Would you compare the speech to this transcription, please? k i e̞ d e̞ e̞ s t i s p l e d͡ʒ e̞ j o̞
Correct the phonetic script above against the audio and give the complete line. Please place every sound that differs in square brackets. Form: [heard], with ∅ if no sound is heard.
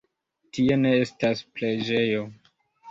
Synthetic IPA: [t] i e̞ [n] e̞ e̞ s t [a] s p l e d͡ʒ e̞ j o̞

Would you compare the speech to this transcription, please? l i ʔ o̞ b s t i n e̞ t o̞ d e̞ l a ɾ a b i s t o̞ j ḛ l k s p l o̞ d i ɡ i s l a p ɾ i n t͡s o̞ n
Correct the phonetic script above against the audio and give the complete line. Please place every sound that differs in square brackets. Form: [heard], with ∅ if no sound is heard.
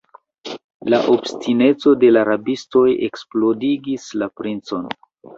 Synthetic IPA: l [a] ʔ o̞ b s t i n e̞ [t͡s] o̞ d e̞ l a ɾ a b i s t o̞ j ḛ [∅] k s p l o̞ d i ɡ i s l a p ɾ i n t͡s o̞ n

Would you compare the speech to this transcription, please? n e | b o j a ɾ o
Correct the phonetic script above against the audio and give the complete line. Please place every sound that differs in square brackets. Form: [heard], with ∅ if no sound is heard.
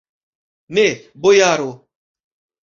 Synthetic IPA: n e | b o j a ɾ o

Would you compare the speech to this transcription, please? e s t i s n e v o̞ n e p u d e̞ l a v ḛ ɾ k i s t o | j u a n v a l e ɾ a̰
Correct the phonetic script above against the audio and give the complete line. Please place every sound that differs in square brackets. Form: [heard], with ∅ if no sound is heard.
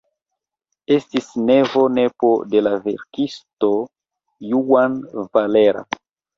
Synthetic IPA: e s t i s n e v o̞ n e p [o] d e̞ l a v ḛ ɾ k i s t o | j u a n v a l e ɾ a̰

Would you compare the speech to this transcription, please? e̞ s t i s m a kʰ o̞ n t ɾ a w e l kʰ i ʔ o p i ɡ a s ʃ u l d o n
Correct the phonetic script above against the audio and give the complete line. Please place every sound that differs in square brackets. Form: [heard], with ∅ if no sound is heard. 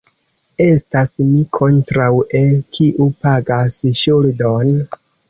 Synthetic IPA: e̞ s t [a] s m [i] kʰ o̞ n t ɾ a w e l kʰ i ʔ [u] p [a] ɡ a s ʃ u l d o n

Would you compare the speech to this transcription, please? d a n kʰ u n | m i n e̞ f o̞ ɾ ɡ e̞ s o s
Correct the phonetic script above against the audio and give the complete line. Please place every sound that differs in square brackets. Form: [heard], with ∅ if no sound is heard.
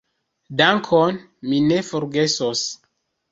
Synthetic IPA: d a [ŋ] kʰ [o] n | m i n e̞ f o̞ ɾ ɡ e̞ s o s

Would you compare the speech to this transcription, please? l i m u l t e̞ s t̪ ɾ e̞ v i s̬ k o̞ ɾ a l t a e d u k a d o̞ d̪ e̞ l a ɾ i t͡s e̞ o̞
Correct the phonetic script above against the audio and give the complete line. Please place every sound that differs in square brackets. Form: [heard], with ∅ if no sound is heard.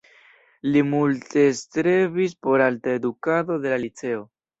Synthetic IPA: l i m u l t e̞ s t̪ ɾ e̞ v i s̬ [p] o̞ ɾ a l t a e d u k a d o̞ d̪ e̞ l a [l] i t͡s e̞ o̞

